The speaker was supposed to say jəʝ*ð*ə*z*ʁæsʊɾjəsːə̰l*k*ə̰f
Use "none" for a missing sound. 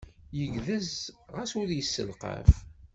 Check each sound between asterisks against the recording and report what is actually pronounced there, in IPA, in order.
ð, z, q

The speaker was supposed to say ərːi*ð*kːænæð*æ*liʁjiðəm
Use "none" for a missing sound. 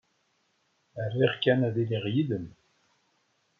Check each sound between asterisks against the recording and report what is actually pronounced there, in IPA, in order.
ʁ, i

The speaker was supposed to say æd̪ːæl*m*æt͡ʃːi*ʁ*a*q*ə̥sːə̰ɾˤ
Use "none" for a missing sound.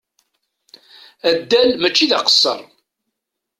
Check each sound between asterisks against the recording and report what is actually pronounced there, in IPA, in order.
m, ð, q

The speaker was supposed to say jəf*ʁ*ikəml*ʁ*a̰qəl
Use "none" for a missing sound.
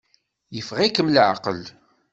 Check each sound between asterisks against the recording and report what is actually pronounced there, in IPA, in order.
ʁ, ʕ

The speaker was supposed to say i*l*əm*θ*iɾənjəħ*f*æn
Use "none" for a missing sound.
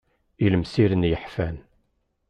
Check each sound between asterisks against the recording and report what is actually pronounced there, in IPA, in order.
l, s, f

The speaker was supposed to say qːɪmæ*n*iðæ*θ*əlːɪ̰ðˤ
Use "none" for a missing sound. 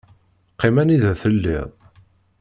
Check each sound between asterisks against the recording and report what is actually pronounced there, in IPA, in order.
n, θ

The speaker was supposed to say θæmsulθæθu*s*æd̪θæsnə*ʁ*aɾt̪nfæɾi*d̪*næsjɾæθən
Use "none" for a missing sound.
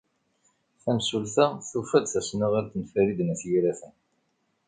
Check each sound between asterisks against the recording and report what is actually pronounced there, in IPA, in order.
f, ʁ, d̪

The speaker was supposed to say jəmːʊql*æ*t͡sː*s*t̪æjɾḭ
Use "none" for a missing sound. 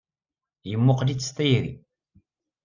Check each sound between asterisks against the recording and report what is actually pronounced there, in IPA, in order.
i, s

